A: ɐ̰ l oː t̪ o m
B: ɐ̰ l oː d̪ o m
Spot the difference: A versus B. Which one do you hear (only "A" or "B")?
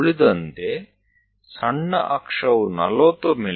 A